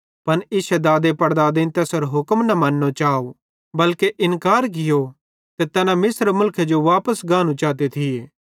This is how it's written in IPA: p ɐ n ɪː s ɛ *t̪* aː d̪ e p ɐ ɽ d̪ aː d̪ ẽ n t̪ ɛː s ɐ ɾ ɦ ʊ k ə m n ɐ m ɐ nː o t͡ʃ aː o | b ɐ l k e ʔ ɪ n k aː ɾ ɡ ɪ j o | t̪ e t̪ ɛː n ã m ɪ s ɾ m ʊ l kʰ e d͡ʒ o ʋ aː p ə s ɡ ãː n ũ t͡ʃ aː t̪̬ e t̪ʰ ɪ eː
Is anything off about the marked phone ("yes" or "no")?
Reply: yes